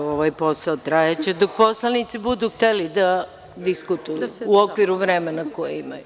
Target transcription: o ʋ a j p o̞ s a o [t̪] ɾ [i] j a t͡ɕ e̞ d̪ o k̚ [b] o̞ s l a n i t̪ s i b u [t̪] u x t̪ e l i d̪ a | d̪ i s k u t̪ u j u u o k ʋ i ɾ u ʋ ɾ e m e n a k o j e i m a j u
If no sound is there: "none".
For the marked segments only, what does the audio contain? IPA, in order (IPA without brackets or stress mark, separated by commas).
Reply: t̪, a, p, d̪